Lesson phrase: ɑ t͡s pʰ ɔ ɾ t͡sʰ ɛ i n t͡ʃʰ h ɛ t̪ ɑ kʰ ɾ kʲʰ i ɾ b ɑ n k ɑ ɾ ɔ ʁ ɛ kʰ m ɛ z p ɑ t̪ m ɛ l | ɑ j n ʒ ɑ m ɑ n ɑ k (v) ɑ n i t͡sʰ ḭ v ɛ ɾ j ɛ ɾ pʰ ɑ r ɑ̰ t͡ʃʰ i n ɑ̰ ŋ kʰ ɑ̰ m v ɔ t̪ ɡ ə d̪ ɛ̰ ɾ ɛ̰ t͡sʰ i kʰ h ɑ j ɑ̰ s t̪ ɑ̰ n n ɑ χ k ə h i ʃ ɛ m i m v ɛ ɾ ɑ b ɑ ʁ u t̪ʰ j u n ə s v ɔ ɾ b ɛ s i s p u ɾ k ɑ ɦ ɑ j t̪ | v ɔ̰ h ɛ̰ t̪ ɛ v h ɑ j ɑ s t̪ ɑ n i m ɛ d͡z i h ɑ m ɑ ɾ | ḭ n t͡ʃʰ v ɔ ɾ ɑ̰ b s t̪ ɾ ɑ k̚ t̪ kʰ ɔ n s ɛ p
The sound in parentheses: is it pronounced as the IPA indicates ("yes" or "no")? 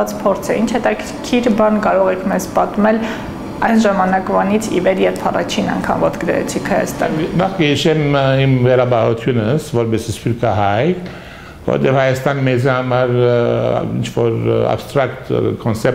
yes